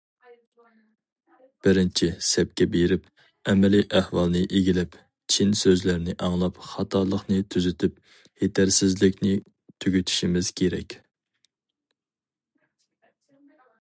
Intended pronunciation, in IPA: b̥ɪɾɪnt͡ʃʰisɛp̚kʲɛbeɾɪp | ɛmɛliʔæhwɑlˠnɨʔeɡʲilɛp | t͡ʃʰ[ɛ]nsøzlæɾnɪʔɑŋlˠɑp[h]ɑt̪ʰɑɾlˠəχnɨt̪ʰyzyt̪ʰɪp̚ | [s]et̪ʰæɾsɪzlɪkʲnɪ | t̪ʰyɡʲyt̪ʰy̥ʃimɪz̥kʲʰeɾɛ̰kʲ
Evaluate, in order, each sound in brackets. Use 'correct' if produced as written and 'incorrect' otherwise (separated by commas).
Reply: incorrect, incorrect, incorrect